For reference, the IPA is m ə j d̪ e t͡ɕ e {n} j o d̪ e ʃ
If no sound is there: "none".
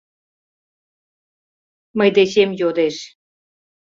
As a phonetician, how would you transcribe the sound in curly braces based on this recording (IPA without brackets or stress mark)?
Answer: m